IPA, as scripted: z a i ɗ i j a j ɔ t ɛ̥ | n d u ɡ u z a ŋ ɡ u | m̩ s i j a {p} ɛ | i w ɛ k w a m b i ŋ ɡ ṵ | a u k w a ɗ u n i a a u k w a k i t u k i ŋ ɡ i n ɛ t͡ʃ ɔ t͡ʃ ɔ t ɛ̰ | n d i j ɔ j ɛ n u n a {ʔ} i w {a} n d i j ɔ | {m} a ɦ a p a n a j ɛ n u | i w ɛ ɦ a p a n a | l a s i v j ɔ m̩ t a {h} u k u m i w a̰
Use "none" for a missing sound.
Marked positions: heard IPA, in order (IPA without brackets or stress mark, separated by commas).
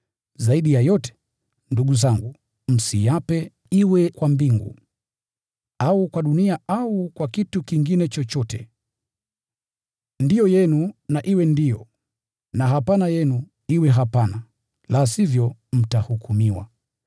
p, ʔ, ɛ, n, h